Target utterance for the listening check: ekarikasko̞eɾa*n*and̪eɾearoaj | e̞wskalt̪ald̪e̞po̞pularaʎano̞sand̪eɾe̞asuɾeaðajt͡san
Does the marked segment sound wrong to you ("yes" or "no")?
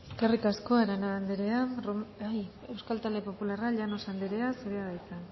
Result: no